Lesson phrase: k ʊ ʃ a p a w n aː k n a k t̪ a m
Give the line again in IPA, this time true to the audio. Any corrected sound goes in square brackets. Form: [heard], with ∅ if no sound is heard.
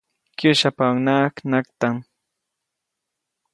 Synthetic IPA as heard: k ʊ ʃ a p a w n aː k n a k t̪ a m